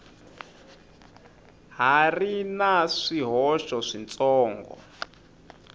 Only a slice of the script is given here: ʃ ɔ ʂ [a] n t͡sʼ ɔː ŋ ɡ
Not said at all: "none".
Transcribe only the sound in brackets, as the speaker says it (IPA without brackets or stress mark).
i